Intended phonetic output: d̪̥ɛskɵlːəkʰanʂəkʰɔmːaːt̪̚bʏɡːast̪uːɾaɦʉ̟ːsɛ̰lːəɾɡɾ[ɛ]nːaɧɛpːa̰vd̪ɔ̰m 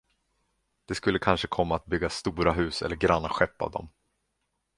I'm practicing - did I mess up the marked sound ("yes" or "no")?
yes